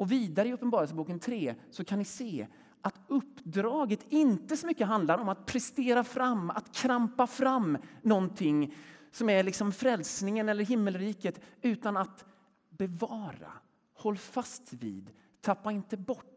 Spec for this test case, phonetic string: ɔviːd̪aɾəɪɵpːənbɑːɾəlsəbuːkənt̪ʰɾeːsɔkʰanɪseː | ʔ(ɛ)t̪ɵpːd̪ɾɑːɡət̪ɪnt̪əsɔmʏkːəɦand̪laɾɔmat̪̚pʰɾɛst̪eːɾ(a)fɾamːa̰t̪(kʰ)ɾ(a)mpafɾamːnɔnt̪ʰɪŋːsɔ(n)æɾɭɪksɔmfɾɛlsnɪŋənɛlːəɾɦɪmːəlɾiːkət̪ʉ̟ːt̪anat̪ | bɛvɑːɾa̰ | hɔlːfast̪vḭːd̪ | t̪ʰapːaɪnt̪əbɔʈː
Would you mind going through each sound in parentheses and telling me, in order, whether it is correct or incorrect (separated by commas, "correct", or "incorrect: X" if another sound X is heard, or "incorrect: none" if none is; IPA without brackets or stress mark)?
incorrect: a, correct, correct, correct, incorrect: m